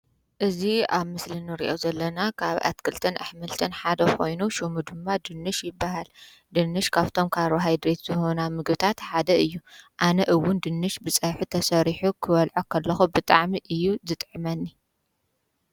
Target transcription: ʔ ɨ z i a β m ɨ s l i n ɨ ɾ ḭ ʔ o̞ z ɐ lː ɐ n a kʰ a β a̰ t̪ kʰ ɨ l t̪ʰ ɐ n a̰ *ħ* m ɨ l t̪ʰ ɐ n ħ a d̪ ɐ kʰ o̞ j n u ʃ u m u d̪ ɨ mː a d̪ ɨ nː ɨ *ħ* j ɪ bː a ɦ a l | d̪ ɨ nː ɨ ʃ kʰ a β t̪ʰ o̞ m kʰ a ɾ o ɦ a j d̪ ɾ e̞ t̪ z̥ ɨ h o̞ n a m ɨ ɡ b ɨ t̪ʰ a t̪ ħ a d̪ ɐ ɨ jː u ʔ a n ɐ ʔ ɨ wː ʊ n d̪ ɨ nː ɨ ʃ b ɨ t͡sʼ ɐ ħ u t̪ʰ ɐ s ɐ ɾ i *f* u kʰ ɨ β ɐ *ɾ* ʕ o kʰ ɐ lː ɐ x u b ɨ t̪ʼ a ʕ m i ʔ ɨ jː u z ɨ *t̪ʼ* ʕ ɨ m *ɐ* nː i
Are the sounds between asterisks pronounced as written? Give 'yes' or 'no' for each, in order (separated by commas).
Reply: yes, no, no, no, yes, yes